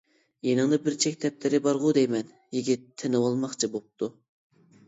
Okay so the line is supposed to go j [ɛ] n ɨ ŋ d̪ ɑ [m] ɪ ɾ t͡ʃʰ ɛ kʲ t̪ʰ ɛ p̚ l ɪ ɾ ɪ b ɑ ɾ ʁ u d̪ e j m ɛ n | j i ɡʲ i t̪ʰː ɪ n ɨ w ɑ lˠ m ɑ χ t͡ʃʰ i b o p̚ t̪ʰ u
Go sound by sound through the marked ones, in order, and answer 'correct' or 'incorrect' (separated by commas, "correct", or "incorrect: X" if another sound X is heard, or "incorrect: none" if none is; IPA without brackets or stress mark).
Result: incorrect: e, incorrect: b